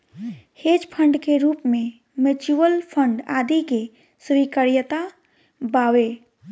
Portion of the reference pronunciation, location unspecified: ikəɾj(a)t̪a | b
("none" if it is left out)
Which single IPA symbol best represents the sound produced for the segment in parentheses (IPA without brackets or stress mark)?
ə